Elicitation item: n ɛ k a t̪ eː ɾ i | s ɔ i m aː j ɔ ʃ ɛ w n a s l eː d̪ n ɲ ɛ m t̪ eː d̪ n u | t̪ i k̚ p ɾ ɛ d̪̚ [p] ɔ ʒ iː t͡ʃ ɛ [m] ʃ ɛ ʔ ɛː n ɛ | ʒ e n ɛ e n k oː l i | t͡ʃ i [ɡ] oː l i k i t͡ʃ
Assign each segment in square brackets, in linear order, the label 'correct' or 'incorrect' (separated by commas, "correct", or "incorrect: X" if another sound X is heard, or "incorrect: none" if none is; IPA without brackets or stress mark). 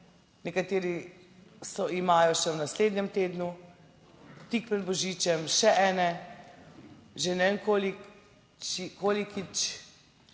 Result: incorrect: b, correct, incorrect: k